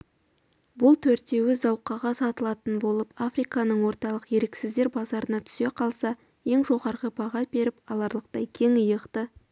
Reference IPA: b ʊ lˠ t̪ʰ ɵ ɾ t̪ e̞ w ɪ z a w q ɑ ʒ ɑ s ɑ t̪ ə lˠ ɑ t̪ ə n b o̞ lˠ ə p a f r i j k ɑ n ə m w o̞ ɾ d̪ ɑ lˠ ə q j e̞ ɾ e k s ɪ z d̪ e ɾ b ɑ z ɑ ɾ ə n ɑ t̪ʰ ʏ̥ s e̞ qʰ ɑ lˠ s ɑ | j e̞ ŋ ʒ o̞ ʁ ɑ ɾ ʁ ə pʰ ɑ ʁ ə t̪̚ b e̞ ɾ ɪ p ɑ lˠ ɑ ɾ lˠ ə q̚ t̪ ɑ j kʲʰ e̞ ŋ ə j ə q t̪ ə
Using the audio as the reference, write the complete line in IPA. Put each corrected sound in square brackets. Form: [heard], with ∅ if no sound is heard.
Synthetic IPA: b ʊ lˠ t̪ʰ ɵ ɾ t̪ e̞ w ɪ z [ɑ] w q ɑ [ʁ] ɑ s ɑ t̪ ə lˠ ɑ t̪ ə n b o̞ lˠ ə p a f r i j k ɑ n ə [ɴ] w o̞ ɾ [t̪] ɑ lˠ ə q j e̞ ɾ e k s ɪ z d̪ e ɾ b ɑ z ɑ ɾ ə n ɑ t̪ʰ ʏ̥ s e̞ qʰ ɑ lˠ s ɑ | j e̞ ŋ ʒ o̞ ʁ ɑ ɾ ʁ ə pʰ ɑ ʁ [ɑ] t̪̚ b e̞ ɾ ɪ p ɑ lˠ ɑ ɾ lˠ ə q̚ t̪ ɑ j kʲʰ e̞ ŋ ə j ə q t̪ ə